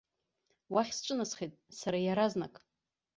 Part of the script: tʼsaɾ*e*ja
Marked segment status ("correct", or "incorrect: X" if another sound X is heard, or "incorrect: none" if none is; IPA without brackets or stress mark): incorrect: a